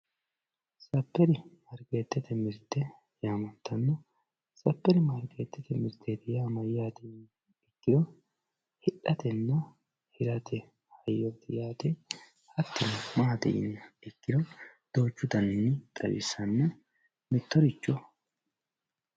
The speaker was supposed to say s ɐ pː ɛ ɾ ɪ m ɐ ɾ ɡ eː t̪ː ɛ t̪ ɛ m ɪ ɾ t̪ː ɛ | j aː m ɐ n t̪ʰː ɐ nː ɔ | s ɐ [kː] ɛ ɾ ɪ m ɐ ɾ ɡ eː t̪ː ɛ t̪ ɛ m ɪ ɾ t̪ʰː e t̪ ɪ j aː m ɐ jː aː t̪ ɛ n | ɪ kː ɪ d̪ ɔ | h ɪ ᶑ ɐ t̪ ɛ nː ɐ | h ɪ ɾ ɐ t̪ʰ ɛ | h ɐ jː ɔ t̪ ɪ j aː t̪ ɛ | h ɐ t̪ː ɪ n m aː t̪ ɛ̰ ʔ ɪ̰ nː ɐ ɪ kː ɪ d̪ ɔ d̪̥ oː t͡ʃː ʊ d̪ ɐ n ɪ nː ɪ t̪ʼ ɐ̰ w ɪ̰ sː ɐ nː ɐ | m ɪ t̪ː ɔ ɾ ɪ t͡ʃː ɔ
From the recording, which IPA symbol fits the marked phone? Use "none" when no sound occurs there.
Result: pː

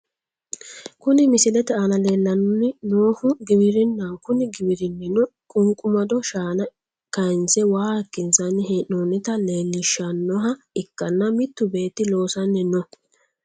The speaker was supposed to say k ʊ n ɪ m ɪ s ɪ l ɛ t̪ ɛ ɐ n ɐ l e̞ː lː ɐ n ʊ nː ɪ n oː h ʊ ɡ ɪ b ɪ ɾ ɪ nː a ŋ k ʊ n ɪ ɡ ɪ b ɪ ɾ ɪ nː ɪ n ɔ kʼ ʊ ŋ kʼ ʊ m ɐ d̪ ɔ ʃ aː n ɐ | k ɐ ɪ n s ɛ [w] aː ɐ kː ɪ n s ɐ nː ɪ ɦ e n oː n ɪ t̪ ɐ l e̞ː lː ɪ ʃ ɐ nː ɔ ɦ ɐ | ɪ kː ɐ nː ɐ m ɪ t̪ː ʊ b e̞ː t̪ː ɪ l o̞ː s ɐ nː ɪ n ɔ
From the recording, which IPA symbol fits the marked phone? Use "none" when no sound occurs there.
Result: w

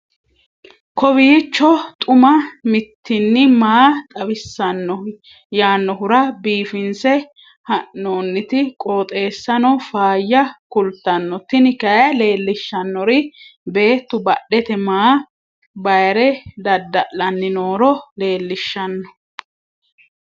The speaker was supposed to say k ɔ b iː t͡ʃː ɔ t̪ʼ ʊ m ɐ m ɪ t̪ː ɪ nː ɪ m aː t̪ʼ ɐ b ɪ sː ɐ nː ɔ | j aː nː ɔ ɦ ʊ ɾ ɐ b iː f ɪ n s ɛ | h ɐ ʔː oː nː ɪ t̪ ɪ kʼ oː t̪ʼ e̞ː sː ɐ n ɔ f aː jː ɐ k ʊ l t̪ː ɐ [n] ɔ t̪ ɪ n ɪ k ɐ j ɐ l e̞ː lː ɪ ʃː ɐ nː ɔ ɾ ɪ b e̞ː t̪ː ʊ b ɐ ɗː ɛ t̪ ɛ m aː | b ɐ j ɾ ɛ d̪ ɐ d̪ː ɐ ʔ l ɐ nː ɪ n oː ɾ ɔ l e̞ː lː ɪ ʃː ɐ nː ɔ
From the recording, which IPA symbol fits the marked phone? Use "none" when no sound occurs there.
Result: nː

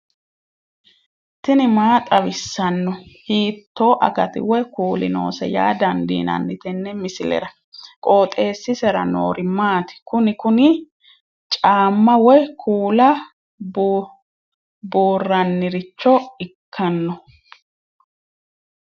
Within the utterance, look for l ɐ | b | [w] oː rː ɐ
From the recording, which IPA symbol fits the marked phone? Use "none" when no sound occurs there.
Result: b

